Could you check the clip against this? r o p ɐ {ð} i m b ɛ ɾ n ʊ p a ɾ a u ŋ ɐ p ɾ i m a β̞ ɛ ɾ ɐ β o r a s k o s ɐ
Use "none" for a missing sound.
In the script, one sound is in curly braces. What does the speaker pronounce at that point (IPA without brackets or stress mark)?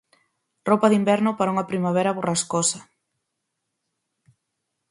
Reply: ð